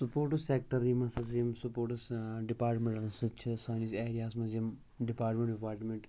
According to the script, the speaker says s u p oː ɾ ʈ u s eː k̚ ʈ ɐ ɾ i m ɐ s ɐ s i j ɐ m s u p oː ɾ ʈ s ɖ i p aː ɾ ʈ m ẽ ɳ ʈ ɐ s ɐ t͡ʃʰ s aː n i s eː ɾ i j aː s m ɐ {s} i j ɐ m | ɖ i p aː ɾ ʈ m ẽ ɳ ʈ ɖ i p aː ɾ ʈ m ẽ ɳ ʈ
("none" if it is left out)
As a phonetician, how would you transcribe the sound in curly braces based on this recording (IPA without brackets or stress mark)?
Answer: z